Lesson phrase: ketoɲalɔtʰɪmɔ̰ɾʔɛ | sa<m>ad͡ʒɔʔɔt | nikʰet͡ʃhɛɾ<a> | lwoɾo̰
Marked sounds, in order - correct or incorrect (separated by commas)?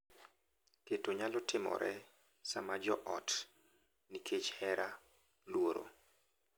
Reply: correct, correct